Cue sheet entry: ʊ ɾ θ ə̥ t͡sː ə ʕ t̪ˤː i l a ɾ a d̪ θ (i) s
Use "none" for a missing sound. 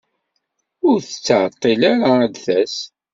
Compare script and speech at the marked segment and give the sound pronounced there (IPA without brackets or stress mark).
æ